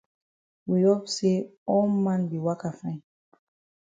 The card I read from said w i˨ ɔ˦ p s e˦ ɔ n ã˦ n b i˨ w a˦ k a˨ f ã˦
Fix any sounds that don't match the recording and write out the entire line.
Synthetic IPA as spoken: w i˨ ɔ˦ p s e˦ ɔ m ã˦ n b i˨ w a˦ k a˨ f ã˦